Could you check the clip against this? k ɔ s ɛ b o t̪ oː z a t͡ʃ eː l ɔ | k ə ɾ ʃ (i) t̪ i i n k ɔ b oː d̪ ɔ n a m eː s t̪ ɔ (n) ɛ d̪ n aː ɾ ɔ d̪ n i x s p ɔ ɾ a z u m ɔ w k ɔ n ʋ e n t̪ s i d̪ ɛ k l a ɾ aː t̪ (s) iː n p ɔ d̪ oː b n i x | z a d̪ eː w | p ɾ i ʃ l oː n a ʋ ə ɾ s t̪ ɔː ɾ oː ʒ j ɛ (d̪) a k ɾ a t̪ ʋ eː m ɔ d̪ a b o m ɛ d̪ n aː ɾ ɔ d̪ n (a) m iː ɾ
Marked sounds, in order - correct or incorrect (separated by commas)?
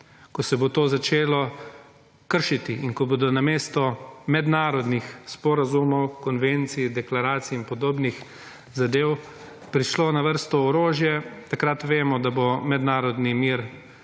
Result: correct, incorrect, correct, incorrect, incorrect